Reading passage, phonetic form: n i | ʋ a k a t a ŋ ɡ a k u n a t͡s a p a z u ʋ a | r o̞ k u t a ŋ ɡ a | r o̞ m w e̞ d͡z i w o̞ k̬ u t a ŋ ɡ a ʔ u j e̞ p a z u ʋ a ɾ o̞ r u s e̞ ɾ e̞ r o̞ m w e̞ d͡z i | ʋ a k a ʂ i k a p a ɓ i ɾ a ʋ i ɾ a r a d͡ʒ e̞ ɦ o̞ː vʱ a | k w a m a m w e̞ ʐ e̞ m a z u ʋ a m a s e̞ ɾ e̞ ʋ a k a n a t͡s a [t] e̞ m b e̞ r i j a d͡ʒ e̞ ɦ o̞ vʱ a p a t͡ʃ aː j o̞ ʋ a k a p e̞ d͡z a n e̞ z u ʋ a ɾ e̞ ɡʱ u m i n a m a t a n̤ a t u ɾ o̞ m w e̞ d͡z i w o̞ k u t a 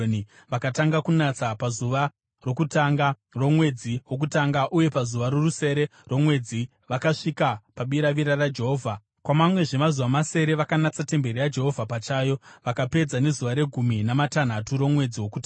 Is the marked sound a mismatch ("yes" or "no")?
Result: no